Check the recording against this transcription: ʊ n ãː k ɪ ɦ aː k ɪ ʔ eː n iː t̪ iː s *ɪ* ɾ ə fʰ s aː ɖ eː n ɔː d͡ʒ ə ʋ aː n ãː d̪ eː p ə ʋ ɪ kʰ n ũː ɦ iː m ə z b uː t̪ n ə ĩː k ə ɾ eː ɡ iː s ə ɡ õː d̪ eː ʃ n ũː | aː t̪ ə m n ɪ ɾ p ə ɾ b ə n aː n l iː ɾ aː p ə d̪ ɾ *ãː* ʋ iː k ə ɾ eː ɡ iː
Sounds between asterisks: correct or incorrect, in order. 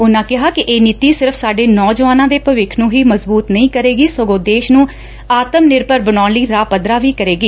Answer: correct, incorrect

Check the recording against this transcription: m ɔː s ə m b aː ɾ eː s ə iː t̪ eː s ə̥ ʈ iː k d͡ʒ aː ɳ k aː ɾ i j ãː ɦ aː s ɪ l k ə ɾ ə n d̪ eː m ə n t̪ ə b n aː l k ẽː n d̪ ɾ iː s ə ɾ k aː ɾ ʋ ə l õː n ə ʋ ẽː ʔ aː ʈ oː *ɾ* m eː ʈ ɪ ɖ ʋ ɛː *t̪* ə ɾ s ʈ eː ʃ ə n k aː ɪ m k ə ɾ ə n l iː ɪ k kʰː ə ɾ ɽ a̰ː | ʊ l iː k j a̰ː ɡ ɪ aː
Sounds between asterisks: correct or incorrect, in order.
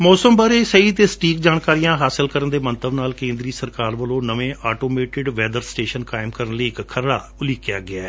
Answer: incorrect, incorrect

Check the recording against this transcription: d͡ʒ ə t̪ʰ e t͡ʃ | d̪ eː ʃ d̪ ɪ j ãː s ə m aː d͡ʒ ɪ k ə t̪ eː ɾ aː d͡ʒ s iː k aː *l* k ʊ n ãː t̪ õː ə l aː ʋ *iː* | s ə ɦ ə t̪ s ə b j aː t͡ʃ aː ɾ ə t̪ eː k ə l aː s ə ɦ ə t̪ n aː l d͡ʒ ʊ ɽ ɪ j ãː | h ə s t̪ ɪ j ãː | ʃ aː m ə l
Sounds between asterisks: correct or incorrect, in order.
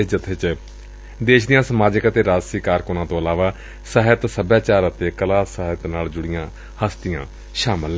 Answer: incorrect, incorrect

